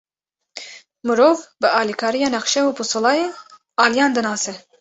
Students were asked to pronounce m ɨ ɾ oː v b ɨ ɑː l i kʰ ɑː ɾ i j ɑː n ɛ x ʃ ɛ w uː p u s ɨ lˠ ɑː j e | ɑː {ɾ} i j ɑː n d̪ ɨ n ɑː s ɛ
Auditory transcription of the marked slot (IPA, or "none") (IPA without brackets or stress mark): l